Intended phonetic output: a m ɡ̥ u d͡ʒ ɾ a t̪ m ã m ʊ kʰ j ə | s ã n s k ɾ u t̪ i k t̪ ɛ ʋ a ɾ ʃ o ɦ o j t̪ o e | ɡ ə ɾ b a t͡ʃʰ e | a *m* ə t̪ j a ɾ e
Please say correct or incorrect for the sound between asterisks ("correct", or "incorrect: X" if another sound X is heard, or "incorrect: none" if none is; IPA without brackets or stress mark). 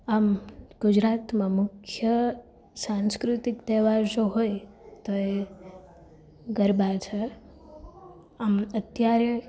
correct